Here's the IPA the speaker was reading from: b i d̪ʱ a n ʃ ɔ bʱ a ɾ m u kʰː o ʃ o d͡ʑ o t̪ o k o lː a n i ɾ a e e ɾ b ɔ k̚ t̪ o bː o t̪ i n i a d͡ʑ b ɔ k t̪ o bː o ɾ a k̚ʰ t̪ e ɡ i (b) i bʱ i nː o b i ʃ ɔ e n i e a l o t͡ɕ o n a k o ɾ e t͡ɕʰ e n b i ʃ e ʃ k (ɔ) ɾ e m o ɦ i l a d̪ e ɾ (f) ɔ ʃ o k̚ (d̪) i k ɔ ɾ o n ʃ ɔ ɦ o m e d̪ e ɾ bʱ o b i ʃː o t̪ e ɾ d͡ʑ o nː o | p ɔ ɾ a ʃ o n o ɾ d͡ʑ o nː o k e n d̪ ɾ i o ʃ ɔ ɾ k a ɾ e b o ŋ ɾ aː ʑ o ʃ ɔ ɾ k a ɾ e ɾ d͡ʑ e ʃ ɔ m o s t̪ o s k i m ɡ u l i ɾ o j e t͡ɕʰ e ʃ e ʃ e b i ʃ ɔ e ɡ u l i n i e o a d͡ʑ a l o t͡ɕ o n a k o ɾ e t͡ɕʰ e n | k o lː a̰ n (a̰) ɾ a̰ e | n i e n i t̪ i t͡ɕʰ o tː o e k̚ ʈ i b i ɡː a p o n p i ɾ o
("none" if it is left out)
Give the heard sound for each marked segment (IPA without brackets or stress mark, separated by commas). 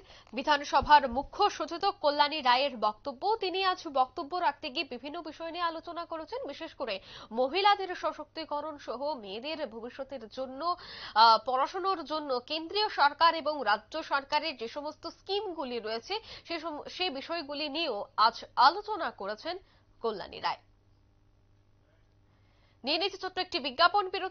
b, o, ʃ, t̪, ḭ